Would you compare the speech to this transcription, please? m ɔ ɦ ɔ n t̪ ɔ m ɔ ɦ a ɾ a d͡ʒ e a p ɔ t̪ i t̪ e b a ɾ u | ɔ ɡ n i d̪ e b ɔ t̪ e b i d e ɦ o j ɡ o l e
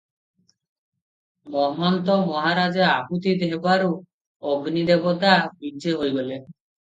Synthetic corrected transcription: m ɔ ɦ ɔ n t̪ ɔ m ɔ ɦ a ɾ a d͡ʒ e a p u t̪ i d̪ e b a ɾ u | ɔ ɡ n i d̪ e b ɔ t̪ a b i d e ɦ o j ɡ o l e

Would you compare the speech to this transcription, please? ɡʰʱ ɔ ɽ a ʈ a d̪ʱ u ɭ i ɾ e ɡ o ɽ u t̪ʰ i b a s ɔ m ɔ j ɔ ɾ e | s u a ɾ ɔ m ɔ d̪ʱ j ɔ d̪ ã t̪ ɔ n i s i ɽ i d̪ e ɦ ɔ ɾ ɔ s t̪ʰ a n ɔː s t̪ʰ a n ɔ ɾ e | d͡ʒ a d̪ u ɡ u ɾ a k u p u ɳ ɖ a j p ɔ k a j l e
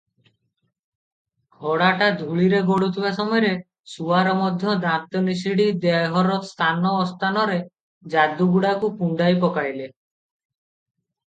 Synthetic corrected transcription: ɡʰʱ ɔ ɽ a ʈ a d̪ʱ u ɭ i ɾ e ɡ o ɽ u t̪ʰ i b a s ɔ m ɔ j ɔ ɾ e | s u a ɾ ɔ m ɔ d̪ʱ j ɔ d̪ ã t̪ ɔ n i s i ɽ i d̪ e ɦ ɔ ɾ ɔ s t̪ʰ a n ɔː s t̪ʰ a n ɔ ɾ e | d͡ʒ a d̪ u ɡ u ɽ a k u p u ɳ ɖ a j p ɔ k a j l e

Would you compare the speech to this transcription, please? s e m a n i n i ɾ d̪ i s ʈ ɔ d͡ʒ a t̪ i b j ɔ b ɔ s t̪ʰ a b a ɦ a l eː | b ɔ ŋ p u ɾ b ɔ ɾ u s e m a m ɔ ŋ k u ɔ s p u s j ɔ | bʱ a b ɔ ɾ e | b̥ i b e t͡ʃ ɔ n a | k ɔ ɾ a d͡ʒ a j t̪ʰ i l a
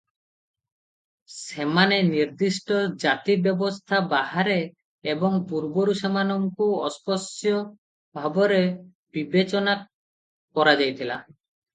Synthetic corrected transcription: s e m a n e n i ɾ d̪ i s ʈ ɔ d͡ʒ a t̪ i b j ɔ b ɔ s t̪ʰ a b a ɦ a ɾ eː | b ɔ ŋ p u ɾ b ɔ ɾ u s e m a n ɔ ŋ k u ɔ s p ɔ s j ɔ | bʱ a b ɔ ɾ e | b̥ i b e t͡ʃ ɔ n a | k ɔ ɾ a d͡ʒ a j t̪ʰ i l a

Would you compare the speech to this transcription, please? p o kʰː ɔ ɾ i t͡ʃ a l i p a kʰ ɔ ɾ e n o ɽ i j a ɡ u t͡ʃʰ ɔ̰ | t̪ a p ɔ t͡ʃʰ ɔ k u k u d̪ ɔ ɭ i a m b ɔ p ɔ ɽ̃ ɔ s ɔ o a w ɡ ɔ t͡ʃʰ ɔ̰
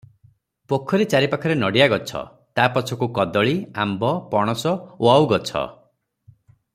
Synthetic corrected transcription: p o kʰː ɔ ɾ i t͡ʃ a ɾ i p a kʰ ɔ ɾ e n ɔ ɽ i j a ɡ ɔ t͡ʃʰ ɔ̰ | t̪ a p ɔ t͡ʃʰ ɔ k u k ɔ d̪ ɔ ɭ i a m b ɔ p ɔ ɽ̃ ɔ s ɔ o a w ɡ ɔ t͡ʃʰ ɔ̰

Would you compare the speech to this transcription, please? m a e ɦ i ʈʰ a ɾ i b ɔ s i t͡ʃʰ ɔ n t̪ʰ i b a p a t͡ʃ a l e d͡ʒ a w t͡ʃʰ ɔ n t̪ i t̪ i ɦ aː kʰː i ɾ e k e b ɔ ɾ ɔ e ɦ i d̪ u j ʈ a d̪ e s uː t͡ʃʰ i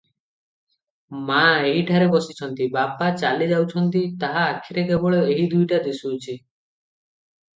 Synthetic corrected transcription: m a e ɦ i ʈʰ a ɾ e b ɔ s i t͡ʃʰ ɔ n t̪ i b a p a t͡ʃ a l e d͡ʒ a w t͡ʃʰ ɔ n t̪ i t̪ a ɦ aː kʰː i ɾ e k e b ɔ ɭ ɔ e ɦ i d̪ u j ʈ a d̪ e s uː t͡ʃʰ i

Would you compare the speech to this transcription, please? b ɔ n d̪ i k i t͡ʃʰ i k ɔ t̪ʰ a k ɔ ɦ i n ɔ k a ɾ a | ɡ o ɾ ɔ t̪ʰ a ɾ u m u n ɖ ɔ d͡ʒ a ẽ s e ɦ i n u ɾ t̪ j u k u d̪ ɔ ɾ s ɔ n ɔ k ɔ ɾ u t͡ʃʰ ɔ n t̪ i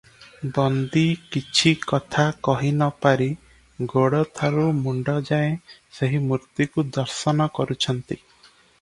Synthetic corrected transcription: b ɔ n d̪ i k i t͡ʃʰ i k ɔ t̪ʰ a k ɔ ɦ i n ɔ p a ɾ i | ɡ o ɽ ɔ t̪ʰ a ɾ u m u ɳ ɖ ɔ d͡ʒ a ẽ s e ɦ i m u ɾ t̪ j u k u d̪ ɔ ɾ s ɔ n ɔ k ɔ ɾ u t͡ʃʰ ɔ n t̪ i

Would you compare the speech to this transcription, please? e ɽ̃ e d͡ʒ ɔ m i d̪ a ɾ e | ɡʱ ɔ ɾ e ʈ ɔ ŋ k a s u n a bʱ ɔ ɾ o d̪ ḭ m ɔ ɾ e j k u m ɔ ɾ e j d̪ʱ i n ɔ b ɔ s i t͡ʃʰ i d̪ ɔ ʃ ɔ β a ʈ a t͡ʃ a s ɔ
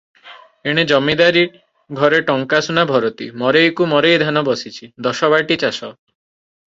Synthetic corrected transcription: e ɽ̃ e d͡ʒ ɔ m i d̪ a ɾ i | ɡʱ ɔ ɾ e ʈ ɔ ŋ k a s u n a bʱ ɔ ɾ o t̪ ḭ m ɔ ɾ e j k u m ɔ ɾ e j d̪ʱ a n ɔ b ɔ s i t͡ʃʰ i d̪ ɔ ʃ ɔ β a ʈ i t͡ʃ a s ɔ

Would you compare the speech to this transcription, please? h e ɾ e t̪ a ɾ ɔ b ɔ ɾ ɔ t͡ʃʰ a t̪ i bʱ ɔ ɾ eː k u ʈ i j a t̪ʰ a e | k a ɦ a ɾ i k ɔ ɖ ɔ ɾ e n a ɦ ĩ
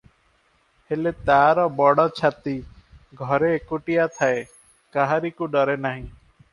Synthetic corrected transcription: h e l e t̪ a ɾ ɔ b ɔ ɽ ɔ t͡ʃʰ a t̪ i ɡʱ ɔ ɾ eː k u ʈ i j a t̪ʰ a e | k a ɦ a ɾ i k u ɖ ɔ ɾ e n a ɦ ĩ

